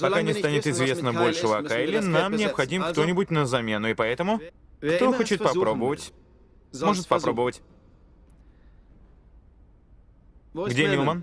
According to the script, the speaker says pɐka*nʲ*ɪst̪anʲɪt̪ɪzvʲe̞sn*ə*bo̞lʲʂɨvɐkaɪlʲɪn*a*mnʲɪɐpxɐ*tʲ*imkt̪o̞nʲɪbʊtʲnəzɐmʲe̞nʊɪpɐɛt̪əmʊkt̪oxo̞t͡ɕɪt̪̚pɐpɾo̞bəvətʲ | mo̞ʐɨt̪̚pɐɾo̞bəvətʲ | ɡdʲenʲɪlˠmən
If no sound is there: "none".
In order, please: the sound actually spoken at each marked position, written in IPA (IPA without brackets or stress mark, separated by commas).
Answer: nʲ, ə, a, dʲ